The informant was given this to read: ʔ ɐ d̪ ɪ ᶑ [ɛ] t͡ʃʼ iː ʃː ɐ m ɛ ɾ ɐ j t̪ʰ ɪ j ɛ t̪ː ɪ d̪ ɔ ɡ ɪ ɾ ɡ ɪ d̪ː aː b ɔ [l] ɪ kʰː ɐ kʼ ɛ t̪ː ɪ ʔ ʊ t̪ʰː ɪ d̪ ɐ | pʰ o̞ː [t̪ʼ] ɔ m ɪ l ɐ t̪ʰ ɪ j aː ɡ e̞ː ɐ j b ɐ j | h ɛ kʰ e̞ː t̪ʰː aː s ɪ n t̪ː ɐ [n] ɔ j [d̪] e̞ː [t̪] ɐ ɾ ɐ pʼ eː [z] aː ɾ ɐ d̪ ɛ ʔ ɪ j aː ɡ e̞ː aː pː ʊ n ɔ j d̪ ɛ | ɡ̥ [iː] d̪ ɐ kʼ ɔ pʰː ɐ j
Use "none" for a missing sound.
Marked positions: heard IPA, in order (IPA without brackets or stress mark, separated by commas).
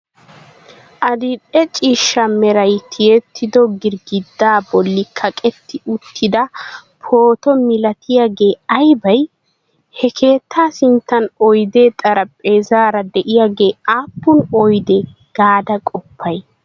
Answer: ɛ, lː, t̪, n, d̪, t̪ʼ, z, aː